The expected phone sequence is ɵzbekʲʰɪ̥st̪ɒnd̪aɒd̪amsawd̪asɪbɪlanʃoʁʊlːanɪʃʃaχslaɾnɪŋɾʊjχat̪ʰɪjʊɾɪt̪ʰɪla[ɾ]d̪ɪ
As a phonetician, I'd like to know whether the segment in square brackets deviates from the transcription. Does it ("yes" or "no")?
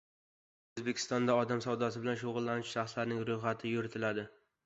yes